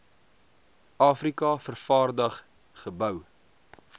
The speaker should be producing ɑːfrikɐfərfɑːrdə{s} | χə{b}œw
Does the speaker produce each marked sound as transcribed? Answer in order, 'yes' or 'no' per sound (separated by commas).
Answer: no, yes